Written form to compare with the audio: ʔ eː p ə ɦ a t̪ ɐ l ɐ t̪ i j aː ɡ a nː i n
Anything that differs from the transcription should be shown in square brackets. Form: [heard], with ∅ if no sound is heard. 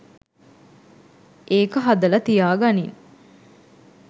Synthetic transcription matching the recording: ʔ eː [k] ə ɦ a [d̪] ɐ l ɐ t̪ i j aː ɡ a [n] i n